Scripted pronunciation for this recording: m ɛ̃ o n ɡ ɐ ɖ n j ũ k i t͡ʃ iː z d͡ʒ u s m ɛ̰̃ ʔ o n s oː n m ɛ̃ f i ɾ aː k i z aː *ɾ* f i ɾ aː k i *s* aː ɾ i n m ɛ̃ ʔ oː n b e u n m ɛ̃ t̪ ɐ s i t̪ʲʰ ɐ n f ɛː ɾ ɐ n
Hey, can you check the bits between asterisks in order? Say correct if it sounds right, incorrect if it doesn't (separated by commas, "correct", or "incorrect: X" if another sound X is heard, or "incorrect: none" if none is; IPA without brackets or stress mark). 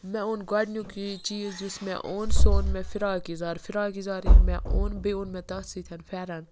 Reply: correct, incorrect: z